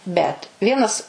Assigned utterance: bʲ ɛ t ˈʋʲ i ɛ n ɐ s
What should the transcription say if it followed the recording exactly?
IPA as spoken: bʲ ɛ t ˈʋʲ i ɛ n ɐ s